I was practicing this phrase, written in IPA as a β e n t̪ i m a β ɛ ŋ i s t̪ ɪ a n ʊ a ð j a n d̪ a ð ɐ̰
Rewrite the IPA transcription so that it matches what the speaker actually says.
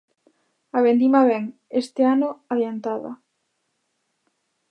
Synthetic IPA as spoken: a β e n d̪ i m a β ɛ ŋ e s t̪ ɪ a n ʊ a ð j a n t̪ a ð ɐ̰